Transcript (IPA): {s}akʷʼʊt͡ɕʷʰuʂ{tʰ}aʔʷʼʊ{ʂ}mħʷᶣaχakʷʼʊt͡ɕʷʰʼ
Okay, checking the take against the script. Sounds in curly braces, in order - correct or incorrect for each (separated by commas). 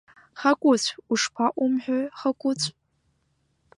incorrect, incorrect, incorrect